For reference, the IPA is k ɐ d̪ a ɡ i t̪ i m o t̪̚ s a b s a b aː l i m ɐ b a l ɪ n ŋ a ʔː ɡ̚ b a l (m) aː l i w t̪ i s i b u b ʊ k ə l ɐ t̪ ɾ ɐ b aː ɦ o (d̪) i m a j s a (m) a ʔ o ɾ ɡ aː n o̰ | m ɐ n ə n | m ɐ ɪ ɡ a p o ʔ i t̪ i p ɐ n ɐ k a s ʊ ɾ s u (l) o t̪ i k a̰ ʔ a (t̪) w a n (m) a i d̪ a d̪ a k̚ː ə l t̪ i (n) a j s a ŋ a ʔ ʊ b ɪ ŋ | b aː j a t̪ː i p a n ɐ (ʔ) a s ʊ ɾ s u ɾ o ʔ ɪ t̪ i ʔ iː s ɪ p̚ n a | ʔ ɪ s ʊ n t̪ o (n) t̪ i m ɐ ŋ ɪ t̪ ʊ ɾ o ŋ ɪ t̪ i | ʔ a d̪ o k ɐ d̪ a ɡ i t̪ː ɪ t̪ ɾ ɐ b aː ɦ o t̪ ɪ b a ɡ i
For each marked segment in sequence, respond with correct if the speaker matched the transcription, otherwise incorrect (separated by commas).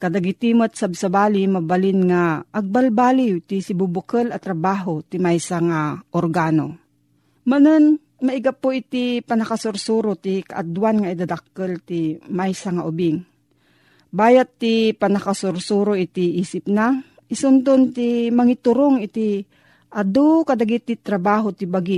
incorrect, incorrect, incorrect, incorrect, incorrect, incorrect, incorrect, incorrect, correct